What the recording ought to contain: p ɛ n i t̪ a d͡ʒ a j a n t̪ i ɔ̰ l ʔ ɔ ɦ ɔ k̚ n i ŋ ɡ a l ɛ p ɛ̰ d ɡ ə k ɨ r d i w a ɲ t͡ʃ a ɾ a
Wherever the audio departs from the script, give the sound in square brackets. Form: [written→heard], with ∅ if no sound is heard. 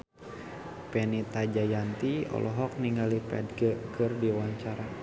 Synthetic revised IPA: p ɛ n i t̪ a d͡ʒ a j a n t̪ i ɔ̰ l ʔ ɔ ɦ ɔ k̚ n i ŋ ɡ a l [ɛ→i] p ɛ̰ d ɡ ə k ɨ r d i w a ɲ t͡ʃ a ɾ a